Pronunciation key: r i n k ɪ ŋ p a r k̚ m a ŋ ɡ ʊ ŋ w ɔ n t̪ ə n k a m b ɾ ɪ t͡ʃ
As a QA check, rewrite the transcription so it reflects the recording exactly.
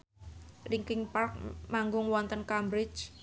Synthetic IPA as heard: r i ŋ k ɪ ŋ p a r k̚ m a ŋ ɡ ʊ ŋ w ɔ n t̪ ə n k a m b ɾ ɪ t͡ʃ